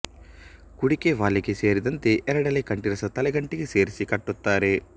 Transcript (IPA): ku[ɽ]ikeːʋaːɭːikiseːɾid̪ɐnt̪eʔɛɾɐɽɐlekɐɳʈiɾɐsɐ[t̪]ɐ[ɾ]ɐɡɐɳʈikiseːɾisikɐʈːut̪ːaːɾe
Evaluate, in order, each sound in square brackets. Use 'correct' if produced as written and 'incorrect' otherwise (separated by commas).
correct, correct, incorrect